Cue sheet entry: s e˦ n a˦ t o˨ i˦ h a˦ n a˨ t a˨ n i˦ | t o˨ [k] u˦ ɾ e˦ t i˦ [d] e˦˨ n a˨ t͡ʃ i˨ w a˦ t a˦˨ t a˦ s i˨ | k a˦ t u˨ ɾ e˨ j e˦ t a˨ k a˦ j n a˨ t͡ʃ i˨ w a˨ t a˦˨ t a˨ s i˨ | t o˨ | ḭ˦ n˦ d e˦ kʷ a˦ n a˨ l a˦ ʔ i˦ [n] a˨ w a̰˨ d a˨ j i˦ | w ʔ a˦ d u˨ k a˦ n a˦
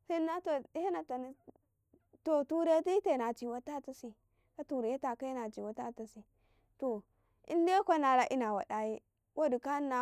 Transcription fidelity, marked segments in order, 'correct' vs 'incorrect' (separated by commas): incorrect, incorrect, correct